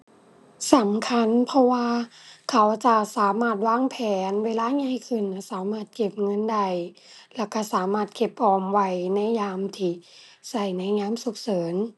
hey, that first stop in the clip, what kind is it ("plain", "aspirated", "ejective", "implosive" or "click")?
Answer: aspirated